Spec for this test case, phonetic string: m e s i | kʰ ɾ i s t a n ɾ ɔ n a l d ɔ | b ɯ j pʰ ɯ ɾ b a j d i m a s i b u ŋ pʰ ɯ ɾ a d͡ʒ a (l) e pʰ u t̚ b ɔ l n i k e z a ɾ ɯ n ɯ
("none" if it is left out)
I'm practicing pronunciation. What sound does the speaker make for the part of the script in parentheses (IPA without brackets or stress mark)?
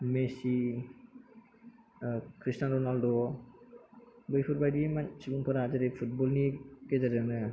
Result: ɾ